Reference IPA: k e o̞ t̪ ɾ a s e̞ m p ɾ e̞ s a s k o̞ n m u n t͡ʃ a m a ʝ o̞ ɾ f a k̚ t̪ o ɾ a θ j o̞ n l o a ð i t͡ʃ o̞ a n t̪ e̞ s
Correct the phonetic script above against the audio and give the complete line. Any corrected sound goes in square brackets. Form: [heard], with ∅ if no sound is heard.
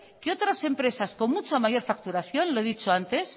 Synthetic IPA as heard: k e o̞ t̪ ɾ a s e̞ m p ɾ e̞ s a s k o̞ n m u [∅] t͡ʃ a m a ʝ o̞ ɾ f a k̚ t̪ [u] ɾ a θ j o̞ n l o [e] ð i t͡ʃ o̞ a n t̪ e̞ s